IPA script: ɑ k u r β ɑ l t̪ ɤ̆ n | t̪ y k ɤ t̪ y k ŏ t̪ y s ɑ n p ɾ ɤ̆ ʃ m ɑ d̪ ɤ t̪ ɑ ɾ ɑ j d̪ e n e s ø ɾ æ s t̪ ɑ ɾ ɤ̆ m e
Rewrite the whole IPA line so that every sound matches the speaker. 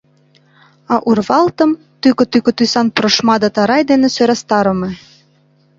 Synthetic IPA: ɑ ʔ u r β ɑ l t̪ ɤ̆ m | t̪ y k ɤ t̪ y k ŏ t̪ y s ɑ n p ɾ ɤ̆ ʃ m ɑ d̪ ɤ t̪ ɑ ɾ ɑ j d̪ e n e s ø ɾ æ s t̪ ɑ ɾ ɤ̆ m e